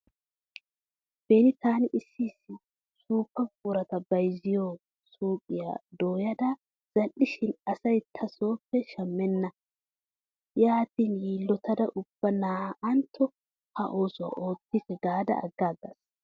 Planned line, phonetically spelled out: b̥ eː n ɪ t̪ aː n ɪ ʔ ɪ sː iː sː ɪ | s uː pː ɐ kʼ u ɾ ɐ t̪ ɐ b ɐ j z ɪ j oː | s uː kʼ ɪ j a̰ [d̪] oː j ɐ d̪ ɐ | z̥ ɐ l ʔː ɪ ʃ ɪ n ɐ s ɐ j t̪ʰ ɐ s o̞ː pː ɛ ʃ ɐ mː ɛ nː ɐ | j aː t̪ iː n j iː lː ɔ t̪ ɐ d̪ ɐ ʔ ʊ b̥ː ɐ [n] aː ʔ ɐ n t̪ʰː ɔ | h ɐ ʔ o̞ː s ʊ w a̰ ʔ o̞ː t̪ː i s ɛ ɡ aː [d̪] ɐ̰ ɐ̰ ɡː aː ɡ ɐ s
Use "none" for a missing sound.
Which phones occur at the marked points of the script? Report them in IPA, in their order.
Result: d̪, n, d̪

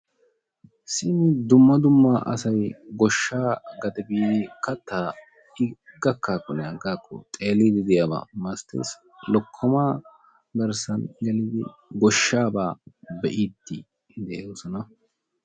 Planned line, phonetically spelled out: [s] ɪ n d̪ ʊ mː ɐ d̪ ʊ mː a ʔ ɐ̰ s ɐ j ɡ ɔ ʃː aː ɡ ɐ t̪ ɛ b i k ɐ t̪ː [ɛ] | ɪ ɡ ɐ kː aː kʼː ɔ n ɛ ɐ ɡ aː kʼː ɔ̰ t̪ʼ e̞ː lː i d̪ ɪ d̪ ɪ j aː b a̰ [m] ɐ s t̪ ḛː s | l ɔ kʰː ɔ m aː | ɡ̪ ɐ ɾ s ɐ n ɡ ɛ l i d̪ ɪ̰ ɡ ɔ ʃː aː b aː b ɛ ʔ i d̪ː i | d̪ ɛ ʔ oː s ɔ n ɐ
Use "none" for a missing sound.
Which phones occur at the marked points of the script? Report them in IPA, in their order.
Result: s, a, m

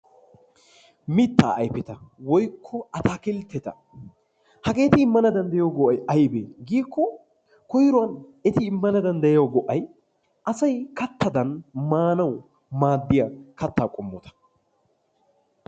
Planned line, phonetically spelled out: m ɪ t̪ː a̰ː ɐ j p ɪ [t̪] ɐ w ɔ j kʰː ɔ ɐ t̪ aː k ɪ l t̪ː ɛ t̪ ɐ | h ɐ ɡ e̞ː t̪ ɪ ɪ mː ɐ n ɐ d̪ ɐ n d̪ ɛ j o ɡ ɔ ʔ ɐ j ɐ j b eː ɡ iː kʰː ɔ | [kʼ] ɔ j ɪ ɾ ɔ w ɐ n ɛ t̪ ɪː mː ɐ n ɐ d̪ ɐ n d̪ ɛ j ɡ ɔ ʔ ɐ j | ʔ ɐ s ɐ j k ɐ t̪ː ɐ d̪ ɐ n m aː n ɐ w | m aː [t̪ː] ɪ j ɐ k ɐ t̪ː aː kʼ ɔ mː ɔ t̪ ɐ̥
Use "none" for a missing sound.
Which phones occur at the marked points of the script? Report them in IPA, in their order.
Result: t̪, k, d̪ː

